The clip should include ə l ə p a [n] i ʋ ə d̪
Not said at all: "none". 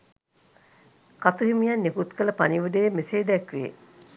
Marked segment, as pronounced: n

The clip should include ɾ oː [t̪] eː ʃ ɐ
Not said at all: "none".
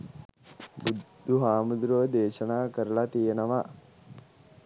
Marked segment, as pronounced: d̪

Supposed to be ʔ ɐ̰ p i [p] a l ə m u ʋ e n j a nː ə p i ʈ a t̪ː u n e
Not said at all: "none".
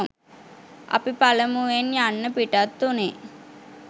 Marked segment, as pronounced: p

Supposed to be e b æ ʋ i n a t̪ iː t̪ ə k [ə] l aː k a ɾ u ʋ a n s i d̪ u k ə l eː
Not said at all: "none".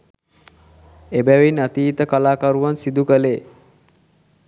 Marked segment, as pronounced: a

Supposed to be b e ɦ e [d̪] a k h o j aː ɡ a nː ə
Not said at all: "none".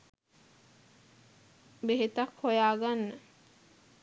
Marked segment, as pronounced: t̪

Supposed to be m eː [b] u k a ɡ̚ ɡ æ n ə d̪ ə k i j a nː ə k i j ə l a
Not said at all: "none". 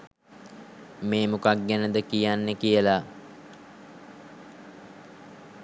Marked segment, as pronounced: m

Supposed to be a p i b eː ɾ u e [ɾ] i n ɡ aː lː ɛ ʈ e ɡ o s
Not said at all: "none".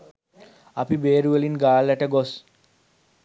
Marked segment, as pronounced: l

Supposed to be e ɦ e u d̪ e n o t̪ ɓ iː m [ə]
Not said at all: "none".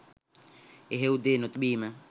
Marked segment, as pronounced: a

